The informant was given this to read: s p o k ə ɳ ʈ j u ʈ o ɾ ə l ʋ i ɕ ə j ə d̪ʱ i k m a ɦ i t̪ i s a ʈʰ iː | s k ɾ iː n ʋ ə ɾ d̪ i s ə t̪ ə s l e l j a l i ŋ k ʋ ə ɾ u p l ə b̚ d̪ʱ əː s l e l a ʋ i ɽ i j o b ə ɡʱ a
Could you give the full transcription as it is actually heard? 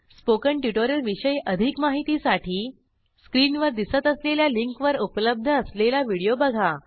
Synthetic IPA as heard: s p o k ə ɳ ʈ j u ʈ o ɾ ə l ʋ i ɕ ə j ə d̪ʱ i k m a ɦ i t̪ i s a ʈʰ iː | s k ɾ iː n ʋ ə ɾ d̪ i s ə t̪ ə s l e l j a l i ŋ k ʋ ə ɾ u p l ə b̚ d̪ʱ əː s l e l a ʋ i ɽ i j o b ə ɡʱ a